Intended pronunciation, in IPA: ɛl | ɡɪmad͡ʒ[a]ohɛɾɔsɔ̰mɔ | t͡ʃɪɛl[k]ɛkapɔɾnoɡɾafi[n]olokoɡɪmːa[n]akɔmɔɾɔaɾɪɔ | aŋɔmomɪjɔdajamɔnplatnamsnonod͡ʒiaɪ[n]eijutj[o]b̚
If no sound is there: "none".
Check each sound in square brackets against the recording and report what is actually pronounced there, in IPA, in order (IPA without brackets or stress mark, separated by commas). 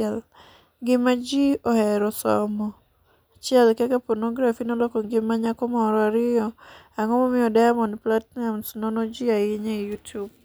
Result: i, k, n, ɲ, ɲ, u